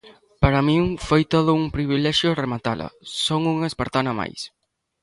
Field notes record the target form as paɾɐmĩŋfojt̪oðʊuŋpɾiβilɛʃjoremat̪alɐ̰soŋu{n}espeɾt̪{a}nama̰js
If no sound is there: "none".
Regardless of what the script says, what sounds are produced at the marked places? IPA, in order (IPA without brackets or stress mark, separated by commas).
ŋ, a